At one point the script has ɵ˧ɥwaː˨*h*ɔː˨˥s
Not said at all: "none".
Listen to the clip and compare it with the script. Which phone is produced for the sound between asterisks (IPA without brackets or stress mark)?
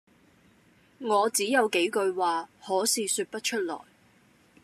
h